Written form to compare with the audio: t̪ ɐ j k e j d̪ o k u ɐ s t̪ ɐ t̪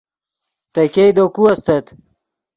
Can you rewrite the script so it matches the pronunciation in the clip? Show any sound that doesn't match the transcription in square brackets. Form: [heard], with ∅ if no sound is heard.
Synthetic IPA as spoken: t̪ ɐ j k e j d̪ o k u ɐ s t̪ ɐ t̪